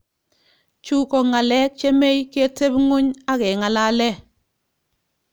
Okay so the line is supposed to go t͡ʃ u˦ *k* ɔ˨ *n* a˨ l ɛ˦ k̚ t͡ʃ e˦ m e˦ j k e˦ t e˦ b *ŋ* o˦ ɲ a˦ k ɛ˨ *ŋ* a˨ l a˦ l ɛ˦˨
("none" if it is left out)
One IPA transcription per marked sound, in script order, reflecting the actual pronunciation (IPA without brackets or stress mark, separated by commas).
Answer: k, ŋ, ŋ, ŋ